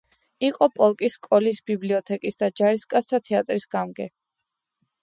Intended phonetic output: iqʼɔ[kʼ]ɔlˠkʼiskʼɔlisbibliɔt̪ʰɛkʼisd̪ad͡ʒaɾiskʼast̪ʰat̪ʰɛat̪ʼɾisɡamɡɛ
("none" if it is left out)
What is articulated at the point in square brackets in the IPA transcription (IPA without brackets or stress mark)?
pʼ